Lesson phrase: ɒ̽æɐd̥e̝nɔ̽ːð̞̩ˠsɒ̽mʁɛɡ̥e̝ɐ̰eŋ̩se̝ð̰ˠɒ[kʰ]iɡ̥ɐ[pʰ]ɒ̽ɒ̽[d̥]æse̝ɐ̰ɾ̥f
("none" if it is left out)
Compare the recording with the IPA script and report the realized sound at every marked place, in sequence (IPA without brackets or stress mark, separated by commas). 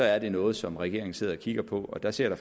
kʰ, pʰ, d̥